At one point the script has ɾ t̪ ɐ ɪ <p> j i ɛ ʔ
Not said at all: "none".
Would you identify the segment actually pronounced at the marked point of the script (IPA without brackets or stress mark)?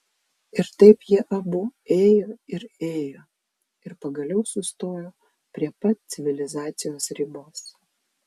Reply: p